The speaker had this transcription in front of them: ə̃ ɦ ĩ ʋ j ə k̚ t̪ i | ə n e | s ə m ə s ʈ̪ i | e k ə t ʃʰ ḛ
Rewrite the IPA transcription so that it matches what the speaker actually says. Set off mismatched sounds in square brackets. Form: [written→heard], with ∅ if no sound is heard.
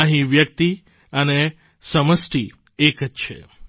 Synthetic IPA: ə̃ ɦ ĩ ʋ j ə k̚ t̪ i | ə n e | s ə m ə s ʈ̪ i | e k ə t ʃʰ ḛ